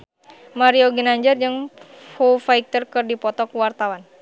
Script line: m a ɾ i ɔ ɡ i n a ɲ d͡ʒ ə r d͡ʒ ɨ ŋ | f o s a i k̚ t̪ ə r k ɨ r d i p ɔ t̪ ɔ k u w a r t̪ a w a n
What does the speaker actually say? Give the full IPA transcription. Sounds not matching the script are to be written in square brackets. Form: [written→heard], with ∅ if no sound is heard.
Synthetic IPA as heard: m a ɾ i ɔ ɡ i n a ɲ d͡ʒ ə r d͡ʒ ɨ ŋ | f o [s→f] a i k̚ t̪ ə r k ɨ r d i p ɔ t̪ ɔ k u w a r t̪ a w a n